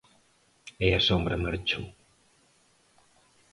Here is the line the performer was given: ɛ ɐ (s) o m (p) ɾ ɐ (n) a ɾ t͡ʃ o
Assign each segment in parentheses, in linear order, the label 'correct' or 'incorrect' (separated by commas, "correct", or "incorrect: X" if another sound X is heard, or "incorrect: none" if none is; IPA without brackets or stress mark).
correct, incorrect: b, incorrect: m